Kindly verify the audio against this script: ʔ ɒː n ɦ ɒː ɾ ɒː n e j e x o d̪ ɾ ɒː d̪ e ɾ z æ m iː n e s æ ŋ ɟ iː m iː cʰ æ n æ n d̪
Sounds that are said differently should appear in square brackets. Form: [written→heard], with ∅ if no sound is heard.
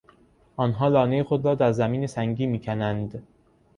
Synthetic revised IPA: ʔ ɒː n ɦ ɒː [ɾ→l] ɒː n e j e x o d̪ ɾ ɒː d̪ [e→æ] ɾ z æ m iː n e s æ ŋ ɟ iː m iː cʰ æ n æ n d̪